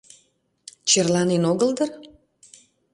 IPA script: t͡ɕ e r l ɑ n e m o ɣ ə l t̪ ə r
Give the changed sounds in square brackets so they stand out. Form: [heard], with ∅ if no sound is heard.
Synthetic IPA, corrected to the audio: t͡ɕ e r l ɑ n e [n] o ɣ ə l [d̪] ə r